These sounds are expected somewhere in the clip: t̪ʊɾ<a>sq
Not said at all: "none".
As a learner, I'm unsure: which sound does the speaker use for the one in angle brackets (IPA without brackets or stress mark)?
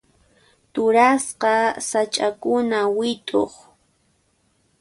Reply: a